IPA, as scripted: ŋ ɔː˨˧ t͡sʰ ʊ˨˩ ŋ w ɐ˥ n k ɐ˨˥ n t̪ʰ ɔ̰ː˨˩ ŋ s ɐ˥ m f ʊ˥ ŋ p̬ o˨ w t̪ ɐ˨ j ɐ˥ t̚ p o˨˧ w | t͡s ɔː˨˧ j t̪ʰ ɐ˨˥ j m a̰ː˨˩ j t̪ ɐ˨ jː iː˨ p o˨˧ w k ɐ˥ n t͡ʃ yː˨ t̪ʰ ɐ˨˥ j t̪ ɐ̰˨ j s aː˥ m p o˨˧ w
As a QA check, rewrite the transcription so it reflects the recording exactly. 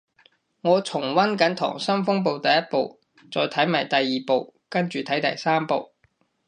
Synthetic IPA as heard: ŋ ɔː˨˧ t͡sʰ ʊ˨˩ ŋ w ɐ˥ n k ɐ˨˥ n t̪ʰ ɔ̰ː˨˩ ŋ s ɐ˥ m f ʊ˥ ŋ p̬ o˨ w t̪ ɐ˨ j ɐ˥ t̚ p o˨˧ w | t͡s ɔː˨˧ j t̪ʰ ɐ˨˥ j m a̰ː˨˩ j t̪ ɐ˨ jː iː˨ p o˨˧ w k ɐ˥ n t͡ʃ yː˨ t̪ʰ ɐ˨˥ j t̪ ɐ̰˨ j s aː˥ m p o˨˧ w